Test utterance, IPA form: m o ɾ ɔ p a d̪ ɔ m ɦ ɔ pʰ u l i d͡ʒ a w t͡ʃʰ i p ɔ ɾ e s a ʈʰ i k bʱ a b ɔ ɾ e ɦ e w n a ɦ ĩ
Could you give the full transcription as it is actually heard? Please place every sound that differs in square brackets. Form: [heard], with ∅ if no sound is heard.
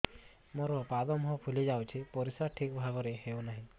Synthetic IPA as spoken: m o ɾ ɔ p a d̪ ɔ m ɦ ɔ pʰ u l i d͡ʒ a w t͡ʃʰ i p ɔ ɾ [i] s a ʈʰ i k bʱ a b ɔ ɾ e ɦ e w n a ɦ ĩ